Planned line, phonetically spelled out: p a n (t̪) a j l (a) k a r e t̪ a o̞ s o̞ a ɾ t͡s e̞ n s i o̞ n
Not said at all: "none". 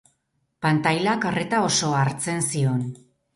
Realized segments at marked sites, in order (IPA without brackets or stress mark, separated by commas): t̪, a